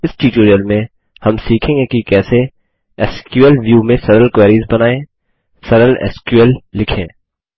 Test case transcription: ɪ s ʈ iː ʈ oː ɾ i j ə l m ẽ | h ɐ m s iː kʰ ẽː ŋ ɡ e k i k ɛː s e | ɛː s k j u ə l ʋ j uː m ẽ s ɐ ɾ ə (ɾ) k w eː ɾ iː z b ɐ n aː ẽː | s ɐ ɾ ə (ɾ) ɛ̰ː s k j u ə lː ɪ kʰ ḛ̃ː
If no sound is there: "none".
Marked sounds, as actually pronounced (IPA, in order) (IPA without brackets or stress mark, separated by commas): l, l